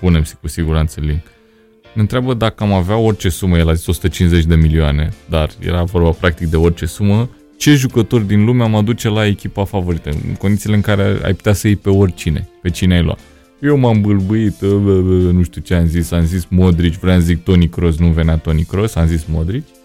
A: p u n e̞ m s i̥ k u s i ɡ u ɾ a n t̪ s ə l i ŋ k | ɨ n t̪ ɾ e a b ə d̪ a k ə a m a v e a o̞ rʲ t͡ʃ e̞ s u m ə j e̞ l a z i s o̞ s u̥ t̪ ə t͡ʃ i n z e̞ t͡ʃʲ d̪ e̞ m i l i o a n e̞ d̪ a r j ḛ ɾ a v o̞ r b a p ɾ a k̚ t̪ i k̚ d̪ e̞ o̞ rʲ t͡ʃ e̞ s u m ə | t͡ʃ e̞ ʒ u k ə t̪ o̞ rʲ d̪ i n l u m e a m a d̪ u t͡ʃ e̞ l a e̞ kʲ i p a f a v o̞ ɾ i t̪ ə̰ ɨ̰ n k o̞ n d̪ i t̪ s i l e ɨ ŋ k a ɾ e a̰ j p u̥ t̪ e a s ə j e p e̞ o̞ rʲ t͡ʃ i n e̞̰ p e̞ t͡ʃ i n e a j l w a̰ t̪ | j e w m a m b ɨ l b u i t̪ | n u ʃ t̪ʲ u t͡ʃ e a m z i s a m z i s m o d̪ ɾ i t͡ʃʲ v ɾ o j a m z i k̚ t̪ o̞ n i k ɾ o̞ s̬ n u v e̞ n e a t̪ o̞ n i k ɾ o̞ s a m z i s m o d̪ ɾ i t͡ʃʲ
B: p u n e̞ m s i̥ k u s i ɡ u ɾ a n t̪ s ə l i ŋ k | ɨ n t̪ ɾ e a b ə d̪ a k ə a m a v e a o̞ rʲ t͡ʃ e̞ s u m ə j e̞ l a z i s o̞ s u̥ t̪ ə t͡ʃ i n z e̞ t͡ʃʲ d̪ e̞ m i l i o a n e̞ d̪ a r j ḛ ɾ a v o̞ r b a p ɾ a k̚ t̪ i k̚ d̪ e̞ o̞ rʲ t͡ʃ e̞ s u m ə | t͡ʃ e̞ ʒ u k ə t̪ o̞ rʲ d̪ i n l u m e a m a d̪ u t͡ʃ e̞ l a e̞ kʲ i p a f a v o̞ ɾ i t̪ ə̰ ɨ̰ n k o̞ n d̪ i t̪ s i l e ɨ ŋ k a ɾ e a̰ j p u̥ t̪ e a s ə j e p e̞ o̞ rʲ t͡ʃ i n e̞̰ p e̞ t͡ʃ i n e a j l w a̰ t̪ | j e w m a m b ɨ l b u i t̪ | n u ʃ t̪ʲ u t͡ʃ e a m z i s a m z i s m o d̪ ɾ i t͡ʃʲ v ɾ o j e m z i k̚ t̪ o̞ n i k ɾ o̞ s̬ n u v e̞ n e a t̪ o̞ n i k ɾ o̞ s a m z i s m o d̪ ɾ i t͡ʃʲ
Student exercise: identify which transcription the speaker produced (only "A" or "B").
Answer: A